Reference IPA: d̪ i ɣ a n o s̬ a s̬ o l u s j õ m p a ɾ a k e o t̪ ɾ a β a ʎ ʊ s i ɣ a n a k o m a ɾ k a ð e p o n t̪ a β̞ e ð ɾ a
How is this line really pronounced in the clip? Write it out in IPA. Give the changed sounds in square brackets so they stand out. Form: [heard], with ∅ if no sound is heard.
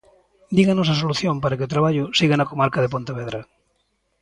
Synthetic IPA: d̪ i ɣ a n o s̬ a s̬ o l u [θ] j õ m p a ɾ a k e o t̪ ɾ a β a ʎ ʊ s i ɣ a n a k o m a ɾ k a ð e p o n t̪ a β̞ e ð ɾ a